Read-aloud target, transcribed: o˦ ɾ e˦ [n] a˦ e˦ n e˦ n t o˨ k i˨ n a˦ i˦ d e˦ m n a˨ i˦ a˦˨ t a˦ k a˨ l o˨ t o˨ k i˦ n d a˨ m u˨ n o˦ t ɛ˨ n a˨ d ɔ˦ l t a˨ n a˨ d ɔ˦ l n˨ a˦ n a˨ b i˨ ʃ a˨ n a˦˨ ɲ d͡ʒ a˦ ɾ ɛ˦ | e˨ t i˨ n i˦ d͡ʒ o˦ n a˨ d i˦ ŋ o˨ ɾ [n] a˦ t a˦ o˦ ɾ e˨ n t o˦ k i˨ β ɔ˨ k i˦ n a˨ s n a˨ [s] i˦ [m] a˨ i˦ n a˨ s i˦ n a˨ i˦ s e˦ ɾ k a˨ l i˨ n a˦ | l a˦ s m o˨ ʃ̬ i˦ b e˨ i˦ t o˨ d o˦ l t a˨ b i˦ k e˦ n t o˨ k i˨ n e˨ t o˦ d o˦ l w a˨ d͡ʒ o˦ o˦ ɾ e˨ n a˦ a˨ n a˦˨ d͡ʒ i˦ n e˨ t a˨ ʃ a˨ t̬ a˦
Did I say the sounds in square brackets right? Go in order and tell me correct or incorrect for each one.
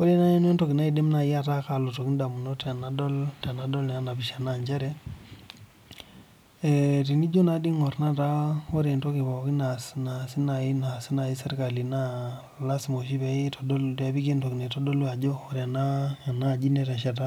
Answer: correct, correct, correct, incorrect: n

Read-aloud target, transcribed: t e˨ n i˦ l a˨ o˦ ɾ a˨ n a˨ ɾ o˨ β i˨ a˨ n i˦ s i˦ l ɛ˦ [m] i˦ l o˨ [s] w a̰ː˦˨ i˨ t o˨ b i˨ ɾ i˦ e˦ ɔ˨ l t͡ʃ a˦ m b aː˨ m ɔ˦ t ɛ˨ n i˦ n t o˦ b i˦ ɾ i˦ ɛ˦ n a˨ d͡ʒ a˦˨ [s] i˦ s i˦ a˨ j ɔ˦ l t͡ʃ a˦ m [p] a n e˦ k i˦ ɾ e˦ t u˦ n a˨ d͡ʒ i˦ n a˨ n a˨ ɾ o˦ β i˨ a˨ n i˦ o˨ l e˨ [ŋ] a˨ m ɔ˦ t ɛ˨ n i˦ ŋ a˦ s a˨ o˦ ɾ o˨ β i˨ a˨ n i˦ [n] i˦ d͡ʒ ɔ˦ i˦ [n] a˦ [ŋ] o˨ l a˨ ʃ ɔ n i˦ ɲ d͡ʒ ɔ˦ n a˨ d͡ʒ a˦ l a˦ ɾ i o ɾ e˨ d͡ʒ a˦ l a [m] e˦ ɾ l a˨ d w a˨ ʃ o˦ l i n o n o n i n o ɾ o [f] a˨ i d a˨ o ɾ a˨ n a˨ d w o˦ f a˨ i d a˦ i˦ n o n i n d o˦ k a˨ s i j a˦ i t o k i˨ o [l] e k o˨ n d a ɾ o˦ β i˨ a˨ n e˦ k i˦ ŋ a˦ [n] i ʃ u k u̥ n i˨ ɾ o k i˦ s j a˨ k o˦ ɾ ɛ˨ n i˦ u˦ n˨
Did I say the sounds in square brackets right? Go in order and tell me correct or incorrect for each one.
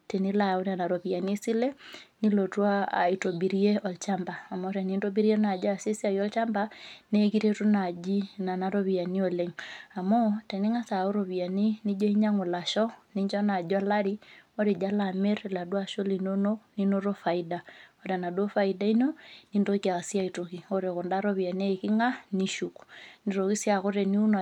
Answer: incorrect: n, incorrect: t, correct, incorrect: b, correct, correct, incorrect: ɲ, correct, correct, correct, incorrect: ɾ, correct

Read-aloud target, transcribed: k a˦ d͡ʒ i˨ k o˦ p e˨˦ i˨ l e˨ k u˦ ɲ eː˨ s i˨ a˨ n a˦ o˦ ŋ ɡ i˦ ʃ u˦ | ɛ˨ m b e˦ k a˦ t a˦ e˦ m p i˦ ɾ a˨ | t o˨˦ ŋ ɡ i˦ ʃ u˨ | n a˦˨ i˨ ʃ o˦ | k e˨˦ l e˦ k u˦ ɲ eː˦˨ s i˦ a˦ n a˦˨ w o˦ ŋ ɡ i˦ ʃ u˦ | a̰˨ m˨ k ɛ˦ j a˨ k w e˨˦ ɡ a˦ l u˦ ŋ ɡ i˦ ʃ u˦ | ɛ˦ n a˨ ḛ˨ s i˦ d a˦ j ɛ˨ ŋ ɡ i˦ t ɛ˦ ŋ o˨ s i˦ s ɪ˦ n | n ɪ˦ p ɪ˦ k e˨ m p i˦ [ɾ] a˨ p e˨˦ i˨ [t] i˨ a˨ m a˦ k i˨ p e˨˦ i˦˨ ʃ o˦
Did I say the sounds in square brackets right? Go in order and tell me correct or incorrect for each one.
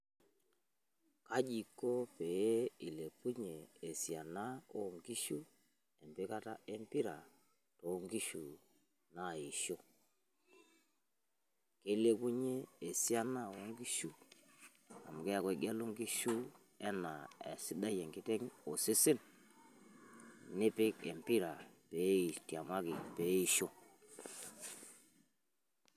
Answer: correct, correct

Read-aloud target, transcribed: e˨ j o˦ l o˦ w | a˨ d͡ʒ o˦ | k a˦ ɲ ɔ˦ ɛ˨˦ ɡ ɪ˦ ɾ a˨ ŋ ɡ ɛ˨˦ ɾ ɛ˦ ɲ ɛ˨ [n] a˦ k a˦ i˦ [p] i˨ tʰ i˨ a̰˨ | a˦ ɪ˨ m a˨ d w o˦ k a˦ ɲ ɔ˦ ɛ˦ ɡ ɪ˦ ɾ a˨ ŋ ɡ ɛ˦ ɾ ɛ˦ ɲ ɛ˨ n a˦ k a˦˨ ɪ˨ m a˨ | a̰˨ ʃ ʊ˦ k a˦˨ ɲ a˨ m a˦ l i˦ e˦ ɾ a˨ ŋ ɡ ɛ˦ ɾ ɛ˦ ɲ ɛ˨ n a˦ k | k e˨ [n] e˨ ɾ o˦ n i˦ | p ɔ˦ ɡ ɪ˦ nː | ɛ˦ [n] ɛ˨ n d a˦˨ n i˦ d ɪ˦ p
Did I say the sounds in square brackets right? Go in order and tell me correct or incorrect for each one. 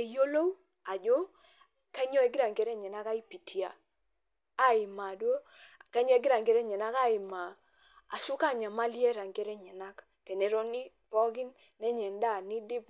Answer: correct, correct, correct, incorrect: ɲ

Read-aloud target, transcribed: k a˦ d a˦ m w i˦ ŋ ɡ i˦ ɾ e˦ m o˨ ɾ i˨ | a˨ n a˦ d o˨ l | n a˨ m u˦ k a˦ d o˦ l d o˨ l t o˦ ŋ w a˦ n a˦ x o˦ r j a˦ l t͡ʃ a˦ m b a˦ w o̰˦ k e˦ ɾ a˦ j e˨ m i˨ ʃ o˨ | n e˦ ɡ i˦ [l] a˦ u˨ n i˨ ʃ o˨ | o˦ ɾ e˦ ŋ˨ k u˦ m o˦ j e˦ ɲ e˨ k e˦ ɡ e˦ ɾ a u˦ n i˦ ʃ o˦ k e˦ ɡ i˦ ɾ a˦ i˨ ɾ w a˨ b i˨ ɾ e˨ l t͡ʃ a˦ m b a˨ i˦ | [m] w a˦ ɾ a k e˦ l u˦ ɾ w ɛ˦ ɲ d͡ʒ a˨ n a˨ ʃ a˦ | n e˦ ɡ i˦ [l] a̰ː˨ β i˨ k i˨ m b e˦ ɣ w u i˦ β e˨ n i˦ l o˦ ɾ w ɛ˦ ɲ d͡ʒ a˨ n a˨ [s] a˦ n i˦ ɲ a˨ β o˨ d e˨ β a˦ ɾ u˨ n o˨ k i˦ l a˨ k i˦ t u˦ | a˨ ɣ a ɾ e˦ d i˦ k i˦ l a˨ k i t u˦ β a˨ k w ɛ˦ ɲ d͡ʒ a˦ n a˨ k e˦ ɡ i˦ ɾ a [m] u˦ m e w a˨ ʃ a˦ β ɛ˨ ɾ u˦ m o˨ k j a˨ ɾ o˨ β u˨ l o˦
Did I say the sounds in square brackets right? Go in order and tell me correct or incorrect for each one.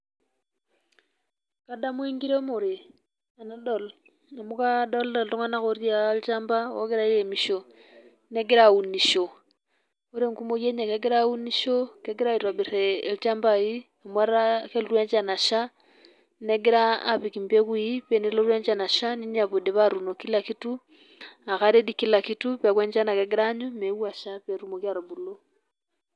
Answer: incorrect: ɾ, correct, incorrect: ɾ, incorrect: ʃ, incorrect: ɲ

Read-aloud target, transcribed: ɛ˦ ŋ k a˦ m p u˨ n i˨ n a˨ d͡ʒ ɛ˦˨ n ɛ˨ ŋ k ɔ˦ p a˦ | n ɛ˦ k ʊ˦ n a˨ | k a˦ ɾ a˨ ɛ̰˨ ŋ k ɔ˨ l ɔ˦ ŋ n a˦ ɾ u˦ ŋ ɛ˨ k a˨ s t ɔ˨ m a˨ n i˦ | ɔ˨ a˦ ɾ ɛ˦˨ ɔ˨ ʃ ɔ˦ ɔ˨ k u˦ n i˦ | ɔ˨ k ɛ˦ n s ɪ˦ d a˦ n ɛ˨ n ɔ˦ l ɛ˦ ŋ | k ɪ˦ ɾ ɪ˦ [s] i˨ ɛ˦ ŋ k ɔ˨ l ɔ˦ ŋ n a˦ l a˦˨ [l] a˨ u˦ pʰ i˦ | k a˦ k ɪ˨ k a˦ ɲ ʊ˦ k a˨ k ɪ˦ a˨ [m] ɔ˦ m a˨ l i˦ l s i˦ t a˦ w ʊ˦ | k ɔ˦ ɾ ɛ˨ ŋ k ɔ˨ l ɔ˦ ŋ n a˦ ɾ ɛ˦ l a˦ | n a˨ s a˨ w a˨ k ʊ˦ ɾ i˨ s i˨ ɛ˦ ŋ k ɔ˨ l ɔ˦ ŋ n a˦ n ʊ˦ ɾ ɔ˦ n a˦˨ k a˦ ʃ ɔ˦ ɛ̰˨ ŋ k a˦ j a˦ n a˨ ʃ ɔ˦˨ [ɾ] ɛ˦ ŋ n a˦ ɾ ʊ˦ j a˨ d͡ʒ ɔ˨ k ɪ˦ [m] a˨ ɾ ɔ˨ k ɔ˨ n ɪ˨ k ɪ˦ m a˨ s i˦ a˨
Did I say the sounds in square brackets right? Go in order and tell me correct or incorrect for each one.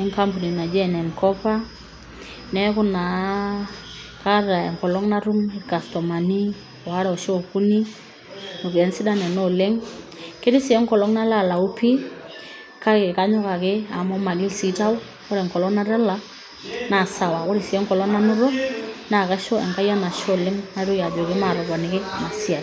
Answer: correct, correct, correct, incorrect: l, correct

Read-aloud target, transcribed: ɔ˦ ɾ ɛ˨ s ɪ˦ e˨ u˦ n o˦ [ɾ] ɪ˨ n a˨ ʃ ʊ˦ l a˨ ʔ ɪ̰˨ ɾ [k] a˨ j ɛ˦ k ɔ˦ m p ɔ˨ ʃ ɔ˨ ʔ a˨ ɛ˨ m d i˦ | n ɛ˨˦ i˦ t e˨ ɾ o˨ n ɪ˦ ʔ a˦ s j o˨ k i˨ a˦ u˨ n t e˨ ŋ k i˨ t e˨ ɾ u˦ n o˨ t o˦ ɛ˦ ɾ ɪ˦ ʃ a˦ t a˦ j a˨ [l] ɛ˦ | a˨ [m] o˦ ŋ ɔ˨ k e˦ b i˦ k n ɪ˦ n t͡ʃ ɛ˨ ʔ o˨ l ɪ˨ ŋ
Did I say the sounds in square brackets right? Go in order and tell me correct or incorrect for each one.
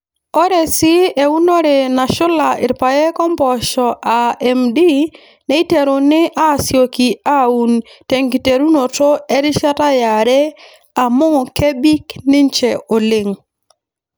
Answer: correct, incorrect: p, incorrect: ɾ, correct

